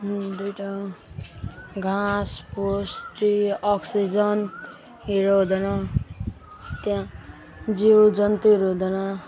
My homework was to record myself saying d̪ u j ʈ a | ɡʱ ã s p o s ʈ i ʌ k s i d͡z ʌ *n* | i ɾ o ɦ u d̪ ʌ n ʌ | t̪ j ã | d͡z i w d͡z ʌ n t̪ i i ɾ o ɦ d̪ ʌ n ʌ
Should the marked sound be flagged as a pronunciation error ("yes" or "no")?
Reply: no